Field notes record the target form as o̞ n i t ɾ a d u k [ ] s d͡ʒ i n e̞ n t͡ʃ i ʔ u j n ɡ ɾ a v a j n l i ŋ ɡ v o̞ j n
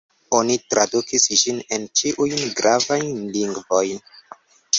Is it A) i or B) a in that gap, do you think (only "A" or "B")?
A